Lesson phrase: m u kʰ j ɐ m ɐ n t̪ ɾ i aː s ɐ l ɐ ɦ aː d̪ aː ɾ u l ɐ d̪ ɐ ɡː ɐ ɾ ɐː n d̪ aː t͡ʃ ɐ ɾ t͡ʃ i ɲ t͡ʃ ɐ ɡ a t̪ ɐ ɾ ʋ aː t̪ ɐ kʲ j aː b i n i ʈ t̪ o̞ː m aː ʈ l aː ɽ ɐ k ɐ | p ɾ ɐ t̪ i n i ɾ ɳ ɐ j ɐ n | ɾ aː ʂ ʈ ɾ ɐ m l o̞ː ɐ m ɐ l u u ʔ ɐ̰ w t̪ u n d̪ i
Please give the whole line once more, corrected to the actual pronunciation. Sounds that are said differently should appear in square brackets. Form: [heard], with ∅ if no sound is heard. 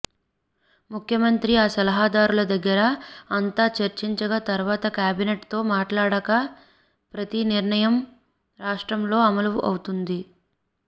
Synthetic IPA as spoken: m u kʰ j ɐ m ɐ n t̪ ɾ i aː s ɐ l ɐ ɦ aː d̪ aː ɾ u l ɐ d̪ ɐ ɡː ɐ ɾ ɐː n [t̪] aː t͡ʃ ɐ ɾ t͡ʃ i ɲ t͡ʃ ɐ ɡ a t̪ ɐ ɾ ʋ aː t̪ ɐ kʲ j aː b i n [e] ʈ t̪ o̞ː m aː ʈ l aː ɽ ɐ k ɐ | p ɾ ɐ t̪ i n i ɾ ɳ ɐ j ɐ [m] | ɾ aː ʂ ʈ ɾ ɐ m l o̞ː ɐ m ɐ l u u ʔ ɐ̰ w t̪ u n d̪ i

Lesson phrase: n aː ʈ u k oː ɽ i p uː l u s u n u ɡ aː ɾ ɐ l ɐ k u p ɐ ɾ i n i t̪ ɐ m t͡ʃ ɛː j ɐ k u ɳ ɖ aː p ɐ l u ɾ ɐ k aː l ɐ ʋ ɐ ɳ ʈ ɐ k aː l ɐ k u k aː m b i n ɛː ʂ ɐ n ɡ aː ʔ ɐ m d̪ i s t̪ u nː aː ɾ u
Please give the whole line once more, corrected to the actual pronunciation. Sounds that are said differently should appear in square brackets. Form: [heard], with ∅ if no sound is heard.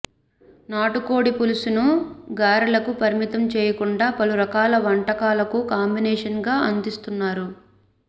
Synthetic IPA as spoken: n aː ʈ u k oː ɽ i p [u] l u s u n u ɡ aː ɾ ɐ l ɐ k u p ɐ ɾ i [m] i t̪ ɐ m t͡ʃ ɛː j ɐ k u ɳ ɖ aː p ɐ l u ɾ ɐ k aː l ɐ ʋ ɐ ɳ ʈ ɐ k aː l ɐ k u k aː m b i n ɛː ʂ ɐ n ɡ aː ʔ ɐ [n] d̪ i s t̪ u nː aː ɾ u

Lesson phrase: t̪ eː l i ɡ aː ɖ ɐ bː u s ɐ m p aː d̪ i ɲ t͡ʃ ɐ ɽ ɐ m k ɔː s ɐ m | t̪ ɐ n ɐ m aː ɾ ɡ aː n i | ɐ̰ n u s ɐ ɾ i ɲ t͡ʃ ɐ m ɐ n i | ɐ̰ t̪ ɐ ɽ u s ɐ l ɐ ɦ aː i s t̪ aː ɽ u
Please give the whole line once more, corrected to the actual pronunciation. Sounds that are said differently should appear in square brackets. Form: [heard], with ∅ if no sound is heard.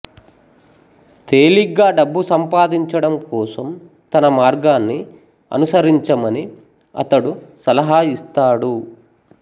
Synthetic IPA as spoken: t̪ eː l i ɡ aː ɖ ɐ bː u s ɐ m p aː d̪ i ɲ t͡ʃ ɐ ɽ ɐ m k ɔː s ɐ m | t̪ ɐ n ɐ m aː ɾ ɡ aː [nː] i | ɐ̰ n u s ɐ ɾ i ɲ t͡ʃ ɐ m ɐ n i | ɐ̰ t̪ ɐ ɽ u s ɐ l ɐ ɦ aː i s t̪ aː ɽ u

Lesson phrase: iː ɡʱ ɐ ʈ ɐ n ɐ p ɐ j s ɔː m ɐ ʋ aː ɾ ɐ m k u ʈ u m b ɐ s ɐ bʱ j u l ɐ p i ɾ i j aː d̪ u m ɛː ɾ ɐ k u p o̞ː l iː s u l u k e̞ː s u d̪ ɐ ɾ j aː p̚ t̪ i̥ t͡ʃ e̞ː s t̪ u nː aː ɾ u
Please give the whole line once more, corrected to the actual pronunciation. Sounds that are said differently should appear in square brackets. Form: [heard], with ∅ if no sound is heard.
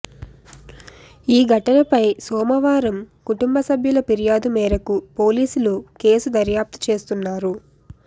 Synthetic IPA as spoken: iː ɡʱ ɐ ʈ ɐ n ɐ p ɐ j s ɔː m ɐ ʋ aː ɾ ɐ m k u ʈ u m b ɐ s ɐ bʱ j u l ɐ p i ɾ i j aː d̪ u m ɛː ɾ ɐ k u p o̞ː l iː s u l u k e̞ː s u d̪ ɐ ɾ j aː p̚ t̪ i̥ t͡ʃ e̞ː s t̪ u nː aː ɾ u

